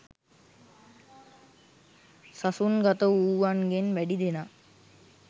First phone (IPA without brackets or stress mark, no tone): s